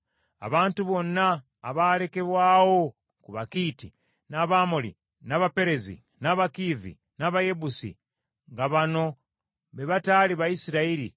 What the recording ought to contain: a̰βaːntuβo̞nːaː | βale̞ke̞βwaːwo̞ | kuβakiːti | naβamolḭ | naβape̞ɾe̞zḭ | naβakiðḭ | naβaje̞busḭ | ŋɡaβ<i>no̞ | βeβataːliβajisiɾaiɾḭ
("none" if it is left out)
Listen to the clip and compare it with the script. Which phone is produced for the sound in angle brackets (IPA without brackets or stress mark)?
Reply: a